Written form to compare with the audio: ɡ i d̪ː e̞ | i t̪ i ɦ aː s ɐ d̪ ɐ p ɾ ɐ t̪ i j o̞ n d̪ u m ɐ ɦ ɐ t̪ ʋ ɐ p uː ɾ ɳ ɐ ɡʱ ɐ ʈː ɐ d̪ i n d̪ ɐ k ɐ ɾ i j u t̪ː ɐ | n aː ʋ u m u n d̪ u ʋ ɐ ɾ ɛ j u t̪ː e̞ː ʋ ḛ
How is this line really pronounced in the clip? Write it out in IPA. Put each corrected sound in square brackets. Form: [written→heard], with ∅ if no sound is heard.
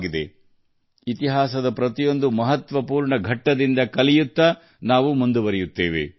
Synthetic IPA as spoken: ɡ i [d̪ː→d̪] e̞ | i t̪ i ɦ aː s ɐ d̪ ɐ p ɾ ɐ t̪ i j o̞ n d̪ u m ɐ ɦ ɐ t̪ ʋ ɐ p uː ɾ ɳ ɐ ɡʱ ɐ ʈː ɐ d̪ i n d̪ ɐ k ɐ [ɾ→l] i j u t̪ː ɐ | n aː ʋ u m u n d̪ u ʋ ɐ ɾ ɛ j u t̪ː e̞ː ʋ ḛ